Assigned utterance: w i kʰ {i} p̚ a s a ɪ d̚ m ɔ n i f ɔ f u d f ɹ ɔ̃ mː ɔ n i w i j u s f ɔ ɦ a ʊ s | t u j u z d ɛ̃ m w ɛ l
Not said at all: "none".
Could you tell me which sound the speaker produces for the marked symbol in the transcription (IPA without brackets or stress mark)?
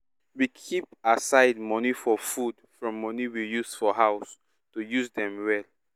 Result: i